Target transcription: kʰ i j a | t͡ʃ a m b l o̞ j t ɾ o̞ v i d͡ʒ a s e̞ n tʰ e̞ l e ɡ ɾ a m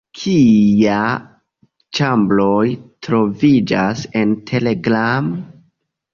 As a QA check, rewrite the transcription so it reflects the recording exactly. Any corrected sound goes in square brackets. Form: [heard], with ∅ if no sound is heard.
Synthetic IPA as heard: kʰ i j a | t͡ʃ a m b l o̞ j t ɾ o̞ v i d͡ʒ a s e̞ n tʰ e̞ l e ɡ ɾ a m